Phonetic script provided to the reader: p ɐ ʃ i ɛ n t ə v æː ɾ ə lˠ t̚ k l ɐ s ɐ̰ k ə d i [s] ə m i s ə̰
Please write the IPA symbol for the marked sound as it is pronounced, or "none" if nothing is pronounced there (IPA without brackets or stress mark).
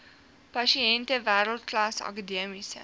none